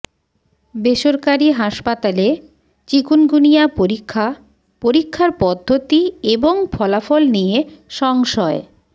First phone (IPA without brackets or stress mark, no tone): b